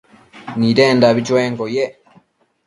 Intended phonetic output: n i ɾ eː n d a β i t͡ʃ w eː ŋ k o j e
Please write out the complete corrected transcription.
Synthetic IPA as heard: n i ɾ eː n d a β i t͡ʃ w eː ŋ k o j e